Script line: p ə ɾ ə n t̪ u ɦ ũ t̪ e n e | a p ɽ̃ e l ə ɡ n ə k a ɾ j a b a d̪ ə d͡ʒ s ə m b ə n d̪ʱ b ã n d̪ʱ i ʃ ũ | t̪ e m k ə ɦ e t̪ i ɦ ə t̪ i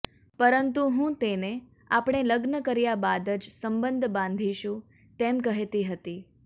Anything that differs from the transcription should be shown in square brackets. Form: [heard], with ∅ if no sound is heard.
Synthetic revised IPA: p ə ɾ ə n t̪ u ɦ ũ t̪ e n e | a p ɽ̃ e l ə ɡ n ə k [ə] ɾ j a b a d̪ ə d͡ʒ s ə m b ə n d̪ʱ b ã n d̪ʱ i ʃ ũ | t̪ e m k ə ɦ e t̪ i ɦ ə t̪ i